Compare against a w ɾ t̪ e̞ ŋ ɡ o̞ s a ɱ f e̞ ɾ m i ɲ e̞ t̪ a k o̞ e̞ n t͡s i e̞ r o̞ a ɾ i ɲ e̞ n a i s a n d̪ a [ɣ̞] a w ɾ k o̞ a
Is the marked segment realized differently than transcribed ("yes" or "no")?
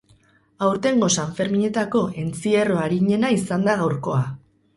no